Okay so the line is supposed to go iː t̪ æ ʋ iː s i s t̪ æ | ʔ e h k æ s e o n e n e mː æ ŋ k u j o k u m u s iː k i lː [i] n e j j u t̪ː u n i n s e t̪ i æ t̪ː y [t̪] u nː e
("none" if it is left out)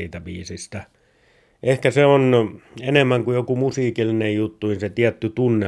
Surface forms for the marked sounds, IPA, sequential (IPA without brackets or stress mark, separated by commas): i, t̪